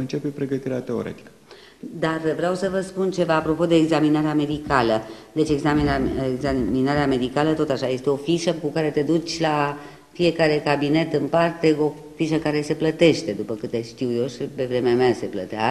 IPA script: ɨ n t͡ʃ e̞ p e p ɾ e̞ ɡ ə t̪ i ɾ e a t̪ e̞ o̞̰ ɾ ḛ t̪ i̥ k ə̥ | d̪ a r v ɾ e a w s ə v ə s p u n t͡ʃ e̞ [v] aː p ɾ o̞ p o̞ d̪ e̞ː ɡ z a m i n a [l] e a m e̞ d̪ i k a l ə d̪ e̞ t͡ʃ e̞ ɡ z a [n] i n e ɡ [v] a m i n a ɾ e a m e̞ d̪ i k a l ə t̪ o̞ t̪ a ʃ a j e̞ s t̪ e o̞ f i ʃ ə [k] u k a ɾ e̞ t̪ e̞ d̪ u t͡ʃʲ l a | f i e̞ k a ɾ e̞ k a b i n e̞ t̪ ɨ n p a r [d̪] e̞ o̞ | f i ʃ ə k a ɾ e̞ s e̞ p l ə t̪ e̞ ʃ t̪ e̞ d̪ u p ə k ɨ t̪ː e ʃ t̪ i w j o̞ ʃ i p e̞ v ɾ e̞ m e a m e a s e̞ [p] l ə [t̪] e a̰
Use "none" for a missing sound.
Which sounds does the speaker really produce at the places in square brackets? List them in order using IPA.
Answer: v, ɾ, m, z, k, t̪, p, t̪

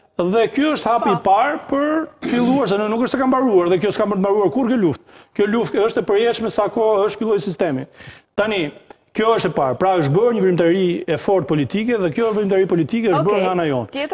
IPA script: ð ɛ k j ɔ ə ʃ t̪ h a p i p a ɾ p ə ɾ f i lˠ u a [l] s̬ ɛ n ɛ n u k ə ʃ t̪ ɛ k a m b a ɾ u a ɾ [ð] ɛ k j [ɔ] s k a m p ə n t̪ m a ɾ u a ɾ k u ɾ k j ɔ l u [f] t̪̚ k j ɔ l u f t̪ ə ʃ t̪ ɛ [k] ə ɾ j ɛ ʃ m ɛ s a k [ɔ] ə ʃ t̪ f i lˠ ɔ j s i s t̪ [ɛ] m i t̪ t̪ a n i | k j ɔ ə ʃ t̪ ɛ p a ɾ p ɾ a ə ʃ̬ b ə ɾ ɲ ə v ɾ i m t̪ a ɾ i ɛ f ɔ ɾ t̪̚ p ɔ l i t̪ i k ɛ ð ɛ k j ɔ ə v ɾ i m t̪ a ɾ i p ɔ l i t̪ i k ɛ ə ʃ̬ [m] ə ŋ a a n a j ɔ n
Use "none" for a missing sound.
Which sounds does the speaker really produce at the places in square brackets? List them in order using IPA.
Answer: ɾ, ð, ɔ, f, p, ɔ, ɛ, b

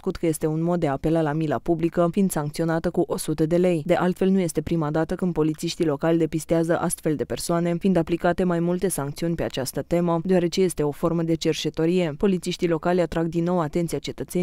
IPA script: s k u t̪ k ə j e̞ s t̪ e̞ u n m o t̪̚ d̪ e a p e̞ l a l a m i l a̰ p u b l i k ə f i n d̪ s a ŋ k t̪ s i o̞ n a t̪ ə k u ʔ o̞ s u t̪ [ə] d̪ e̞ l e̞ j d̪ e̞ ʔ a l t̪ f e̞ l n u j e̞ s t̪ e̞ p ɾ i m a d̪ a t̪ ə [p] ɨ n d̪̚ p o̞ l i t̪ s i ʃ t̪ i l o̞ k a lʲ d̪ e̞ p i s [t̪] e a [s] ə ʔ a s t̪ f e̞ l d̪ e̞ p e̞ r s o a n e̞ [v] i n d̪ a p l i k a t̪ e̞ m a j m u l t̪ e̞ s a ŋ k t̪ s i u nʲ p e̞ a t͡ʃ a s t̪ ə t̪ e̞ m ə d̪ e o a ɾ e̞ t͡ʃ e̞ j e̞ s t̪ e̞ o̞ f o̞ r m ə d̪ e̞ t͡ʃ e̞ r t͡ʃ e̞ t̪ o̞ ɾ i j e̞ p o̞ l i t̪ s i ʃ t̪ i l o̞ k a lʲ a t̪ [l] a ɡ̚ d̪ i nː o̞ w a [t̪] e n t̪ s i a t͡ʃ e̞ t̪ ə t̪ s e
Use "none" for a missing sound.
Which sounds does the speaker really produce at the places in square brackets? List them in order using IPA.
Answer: ə, k, t̪, z, f, ɾ, t̪

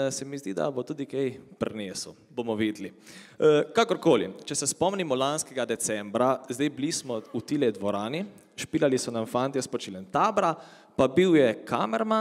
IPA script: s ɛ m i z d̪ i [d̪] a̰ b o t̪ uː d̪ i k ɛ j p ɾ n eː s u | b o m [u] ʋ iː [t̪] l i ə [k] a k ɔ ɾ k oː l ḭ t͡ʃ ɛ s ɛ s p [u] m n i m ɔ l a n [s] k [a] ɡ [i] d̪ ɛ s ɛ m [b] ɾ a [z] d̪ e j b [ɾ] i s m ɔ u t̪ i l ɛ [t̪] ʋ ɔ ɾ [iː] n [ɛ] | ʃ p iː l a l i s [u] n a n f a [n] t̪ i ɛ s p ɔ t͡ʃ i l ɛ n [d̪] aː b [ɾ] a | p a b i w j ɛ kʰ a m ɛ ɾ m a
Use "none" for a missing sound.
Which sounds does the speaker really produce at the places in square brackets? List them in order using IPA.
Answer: d̪, ɔ, d̪, k, ɔ, s, ɛ, a, b, z, l, d̪, aː, i, ɔ, n, t̪, ɾ

